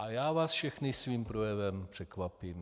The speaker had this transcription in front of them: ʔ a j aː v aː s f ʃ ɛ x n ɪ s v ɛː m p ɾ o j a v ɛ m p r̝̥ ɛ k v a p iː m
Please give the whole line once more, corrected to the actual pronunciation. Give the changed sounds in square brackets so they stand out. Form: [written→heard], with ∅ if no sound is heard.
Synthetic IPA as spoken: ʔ a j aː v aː s f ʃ ɛ x n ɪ s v [ɛː→iː] m p ɾ o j [a→ɛ] v ɛ m p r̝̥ ɛ k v a p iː m